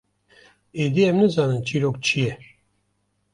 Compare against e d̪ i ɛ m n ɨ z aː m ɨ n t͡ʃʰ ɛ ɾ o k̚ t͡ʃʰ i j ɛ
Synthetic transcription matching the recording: e d̪ i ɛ m n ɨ z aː n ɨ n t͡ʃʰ i ɾ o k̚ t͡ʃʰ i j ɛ